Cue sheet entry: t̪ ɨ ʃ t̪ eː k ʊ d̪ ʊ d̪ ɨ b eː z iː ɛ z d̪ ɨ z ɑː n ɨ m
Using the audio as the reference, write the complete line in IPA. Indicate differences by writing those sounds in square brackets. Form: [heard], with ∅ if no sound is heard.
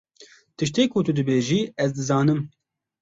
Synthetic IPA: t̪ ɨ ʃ t̪ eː k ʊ [t̪] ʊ d̪ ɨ b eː [ʒ] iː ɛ z d̪ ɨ z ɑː n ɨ m